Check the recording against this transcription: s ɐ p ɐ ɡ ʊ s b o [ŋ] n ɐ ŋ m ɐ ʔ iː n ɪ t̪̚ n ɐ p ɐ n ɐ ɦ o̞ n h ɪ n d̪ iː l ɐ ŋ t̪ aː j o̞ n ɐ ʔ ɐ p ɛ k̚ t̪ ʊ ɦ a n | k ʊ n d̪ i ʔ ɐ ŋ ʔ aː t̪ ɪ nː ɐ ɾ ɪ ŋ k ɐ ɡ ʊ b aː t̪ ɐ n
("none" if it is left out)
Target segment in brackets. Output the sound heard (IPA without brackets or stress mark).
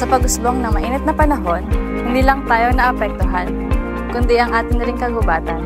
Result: ŋ